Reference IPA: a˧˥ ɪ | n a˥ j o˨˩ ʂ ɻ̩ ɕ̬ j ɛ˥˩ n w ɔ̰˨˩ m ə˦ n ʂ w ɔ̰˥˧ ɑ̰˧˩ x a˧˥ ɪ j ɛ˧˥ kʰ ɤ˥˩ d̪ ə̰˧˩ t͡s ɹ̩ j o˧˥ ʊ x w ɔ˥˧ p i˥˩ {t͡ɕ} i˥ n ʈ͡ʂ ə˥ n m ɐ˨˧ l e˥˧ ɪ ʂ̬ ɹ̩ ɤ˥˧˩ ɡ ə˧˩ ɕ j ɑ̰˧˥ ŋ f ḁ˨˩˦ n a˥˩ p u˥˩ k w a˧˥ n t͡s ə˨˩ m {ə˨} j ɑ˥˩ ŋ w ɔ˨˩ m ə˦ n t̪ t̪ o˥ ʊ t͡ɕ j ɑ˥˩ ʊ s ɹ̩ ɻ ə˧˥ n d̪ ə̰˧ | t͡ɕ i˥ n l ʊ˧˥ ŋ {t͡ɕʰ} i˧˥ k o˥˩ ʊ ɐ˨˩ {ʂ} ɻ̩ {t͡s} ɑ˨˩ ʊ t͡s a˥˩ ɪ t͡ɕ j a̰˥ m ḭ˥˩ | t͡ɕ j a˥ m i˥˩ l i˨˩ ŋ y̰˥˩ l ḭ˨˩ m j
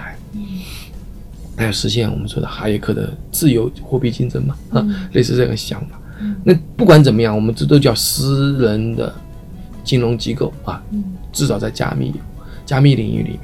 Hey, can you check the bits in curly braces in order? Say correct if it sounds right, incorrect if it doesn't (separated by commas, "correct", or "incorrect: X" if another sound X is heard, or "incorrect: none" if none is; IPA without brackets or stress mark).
correct, incorrect: ə˦, incorrect: t͡ɕ, incorrect: ʈ͡ʂ, correct